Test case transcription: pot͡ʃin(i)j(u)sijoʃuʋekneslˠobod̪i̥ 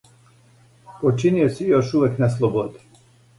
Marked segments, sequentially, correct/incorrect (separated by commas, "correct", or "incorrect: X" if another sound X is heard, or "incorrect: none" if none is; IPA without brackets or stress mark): correct, incorrect: o